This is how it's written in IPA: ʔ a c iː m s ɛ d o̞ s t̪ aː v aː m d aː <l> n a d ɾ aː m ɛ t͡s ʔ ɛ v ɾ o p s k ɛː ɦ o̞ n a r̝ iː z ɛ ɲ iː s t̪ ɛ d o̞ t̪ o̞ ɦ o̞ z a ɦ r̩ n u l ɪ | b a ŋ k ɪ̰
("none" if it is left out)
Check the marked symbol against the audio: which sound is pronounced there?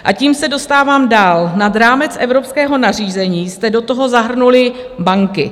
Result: l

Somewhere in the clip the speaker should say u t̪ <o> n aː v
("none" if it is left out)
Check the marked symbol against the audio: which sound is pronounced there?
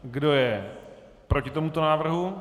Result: o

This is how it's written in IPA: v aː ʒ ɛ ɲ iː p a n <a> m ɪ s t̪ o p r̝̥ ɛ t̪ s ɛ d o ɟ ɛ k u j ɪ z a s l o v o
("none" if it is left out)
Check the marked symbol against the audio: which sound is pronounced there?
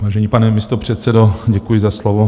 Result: ɛ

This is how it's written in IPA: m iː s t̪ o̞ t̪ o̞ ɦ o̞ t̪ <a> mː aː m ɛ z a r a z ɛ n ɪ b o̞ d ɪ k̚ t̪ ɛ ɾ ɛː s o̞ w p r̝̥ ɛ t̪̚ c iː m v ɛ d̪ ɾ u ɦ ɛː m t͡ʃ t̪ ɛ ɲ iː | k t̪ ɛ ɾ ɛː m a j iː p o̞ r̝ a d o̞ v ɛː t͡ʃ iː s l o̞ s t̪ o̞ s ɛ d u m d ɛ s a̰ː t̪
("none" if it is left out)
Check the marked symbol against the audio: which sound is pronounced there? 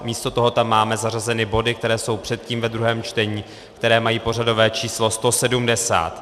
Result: a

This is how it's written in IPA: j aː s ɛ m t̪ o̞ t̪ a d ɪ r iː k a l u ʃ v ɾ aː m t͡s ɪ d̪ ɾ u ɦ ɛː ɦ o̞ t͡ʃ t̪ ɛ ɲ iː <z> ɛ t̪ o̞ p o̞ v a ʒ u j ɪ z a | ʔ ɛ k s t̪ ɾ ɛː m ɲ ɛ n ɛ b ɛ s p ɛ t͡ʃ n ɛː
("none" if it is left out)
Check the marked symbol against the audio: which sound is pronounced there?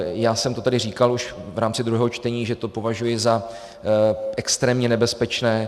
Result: ʒ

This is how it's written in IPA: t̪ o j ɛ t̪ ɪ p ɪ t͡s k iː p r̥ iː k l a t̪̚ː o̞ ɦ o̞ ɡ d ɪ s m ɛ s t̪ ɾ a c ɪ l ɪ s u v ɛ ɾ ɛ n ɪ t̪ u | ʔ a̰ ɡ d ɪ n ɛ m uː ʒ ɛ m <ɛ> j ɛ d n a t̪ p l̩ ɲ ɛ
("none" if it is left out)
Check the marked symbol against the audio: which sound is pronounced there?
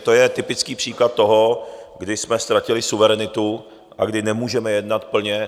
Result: ɛ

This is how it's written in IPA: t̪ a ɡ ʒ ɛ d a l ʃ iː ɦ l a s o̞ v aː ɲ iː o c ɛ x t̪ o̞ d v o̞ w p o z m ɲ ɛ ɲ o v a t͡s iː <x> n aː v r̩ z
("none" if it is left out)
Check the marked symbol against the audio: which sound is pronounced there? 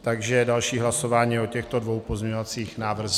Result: x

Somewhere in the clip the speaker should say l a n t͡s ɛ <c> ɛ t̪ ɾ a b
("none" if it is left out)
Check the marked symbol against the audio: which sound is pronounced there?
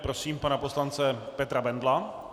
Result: p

